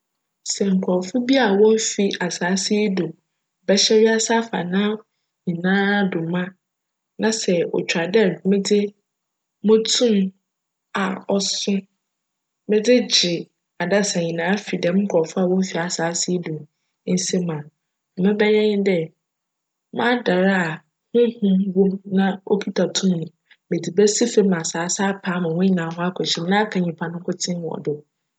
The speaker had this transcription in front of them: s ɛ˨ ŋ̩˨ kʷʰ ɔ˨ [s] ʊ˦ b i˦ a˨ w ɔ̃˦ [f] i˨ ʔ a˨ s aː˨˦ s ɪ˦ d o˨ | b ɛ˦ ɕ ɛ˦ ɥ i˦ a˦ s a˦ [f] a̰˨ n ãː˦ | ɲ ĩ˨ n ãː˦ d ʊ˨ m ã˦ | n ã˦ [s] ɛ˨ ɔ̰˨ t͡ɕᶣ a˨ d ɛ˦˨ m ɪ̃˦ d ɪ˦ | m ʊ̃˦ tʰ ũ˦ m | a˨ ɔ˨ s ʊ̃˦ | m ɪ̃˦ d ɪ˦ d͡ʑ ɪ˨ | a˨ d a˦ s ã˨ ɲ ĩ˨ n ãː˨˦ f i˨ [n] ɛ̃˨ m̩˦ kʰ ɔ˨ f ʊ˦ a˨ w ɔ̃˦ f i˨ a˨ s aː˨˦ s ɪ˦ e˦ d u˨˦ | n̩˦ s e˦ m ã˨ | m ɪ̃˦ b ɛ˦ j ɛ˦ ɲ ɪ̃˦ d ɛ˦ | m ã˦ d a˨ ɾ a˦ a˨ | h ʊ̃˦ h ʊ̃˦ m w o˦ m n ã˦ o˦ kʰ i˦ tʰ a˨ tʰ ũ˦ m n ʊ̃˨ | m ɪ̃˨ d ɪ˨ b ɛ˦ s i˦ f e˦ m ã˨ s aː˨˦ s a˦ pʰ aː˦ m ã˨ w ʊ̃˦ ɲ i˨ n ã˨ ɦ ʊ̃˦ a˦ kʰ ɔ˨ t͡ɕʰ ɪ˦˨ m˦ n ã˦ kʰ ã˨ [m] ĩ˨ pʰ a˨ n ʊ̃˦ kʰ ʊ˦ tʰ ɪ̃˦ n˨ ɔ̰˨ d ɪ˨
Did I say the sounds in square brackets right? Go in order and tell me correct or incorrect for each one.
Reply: incorrect: f, correct, correct, correct, incorrect: d, incorrect: ɲ

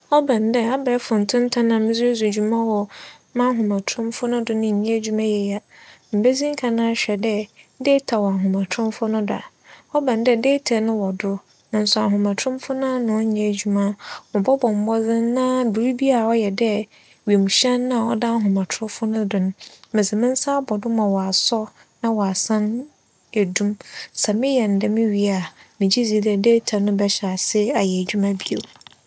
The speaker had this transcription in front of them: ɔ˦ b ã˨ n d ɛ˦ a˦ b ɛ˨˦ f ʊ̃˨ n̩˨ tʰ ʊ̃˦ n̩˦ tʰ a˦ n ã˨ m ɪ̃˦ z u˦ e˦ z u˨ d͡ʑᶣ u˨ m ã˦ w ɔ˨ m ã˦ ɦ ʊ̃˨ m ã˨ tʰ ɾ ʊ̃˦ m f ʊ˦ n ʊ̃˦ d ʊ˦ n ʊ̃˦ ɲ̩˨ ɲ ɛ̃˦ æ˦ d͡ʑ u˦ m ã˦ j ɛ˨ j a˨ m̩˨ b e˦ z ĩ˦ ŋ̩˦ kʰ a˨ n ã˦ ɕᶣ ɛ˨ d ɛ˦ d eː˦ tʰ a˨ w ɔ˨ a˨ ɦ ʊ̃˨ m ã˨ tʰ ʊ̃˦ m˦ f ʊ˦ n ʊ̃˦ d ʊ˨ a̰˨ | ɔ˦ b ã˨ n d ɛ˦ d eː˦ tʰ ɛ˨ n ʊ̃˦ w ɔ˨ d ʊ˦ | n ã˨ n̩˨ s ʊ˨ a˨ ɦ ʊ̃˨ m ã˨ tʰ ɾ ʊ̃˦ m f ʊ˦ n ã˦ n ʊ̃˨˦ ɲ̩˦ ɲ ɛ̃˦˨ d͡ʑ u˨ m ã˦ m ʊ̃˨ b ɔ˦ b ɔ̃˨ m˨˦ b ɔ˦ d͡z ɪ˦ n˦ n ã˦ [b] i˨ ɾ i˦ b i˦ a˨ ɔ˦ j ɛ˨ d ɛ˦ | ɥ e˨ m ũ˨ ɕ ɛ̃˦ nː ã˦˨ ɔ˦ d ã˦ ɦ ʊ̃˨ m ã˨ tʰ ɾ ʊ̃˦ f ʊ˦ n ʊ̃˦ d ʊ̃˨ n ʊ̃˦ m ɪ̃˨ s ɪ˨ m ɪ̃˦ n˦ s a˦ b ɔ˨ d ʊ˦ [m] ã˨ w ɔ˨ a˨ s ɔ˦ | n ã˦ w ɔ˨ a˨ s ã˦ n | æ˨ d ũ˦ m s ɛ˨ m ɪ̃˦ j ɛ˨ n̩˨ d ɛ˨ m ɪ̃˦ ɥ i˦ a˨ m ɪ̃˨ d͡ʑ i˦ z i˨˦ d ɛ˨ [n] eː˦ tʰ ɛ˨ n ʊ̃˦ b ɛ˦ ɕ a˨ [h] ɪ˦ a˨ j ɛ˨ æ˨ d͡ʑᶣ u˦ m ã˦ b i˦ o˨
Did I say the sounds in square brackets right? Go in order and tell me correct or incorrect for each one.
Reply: correct, correct, incorrect: d, incorrect: s

